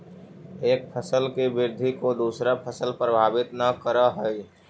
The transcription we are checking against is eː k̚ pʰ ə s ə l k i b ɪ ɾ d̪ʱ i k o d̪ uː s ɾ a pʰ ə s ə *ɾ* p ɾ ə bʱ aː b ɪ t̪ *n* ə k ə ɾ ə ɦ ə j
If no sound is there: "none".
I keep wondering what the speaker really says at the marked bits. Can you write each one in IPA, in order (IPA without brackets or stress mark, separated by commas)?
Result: l, n